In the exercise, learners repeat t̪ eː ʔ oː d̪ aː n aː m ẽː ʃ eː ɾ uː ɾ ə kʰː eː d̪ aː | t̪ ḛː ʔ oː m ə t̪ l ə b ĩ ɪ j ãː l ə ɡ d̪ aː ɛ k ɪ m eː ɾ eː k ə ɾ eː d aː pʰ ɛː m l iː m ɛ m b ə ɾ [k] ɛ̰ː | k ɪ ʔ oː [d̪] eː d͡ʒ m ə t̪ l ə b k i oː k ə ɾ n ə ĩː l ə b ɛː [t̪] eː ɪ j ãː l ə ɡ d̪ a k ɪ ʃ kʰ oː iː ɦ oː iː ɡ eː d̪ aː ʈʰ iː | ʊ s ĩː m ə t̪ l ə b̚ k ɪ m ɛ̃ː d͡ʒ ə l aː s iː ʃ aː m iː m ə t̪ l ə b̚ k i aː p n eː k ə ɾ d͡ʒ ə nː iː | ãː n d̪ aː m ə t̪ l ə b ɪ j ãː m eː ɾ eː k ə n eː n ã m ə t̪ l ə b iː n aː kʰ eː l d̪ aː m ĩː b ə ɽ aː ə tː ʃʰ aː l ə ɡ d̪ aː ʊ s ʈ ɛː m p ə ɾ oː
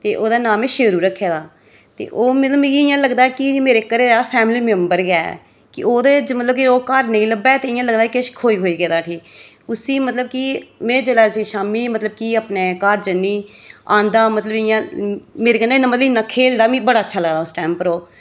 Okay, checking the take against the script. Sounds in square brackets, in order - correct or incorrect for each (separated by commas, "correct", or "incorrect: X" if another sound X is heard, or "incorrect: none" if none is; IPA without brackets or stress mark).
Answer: incorrect: ɡ, correct, correct